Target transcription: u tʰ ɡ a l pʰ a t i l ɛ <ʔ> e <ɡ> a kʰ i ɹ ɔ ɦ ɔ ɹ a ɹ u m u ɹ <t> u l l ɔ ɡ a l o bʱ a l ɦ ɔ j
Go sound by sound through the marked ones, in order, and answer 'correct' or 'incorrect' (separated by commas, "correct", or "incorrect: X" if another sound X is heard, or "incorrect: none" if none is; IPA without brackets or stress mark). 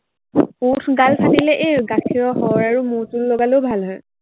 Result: correct, correct, correct